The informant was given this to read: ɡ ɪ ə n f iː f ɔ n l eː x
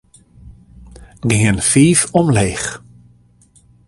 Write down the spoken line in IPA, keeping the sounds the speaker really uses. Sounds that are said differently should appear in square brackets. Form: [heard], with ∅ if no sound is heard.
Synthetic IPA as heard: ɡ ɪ ə n f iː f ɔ [m] l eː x